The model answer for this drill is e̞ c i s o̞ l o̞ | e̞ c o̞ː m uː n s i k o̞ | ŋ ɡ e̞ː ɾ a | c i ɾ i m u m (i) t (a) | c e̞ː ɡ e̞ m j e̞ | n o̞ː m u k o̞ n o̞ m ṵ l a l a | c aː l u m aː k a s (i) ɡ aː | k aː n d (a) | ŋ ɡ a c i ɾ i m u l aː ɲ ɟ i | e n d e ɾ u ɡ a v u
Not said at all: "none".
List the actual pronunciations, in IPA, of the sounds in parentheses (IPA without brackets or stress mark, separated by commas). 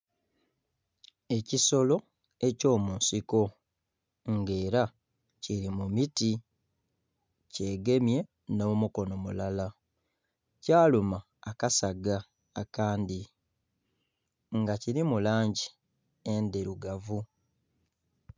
i, i, a, i